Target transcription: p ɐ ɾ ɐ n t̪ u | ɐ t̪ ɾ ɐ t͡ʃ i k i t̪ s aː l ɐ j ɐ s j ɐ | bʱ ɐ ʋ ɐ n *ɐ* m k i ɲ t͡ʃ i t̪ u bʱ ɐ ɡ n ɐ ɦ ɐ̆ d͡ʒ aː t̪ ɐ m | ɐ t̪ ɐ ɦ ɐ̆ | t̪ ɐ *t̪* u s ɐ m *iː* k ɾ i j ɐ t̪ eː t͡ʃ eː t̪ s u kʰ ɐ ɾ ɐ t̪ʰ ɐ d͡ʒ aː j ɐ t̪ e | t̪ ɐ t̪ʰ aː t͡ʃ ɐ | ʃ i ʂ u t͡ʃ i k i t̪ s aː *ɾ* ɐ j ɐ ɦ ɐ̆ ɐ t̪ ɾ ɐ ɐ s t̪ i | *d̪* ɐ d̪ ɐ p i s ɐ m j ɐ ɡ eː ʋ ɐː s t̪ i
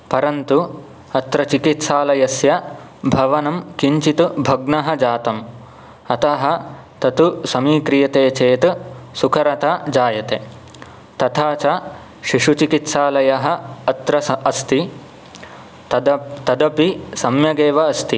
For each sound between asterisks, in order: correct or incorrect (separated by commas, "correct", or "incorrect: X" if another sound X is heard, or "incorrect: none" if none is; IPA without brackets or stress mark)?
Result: correct, correct, correct, incorrect: l, incorrect: t̪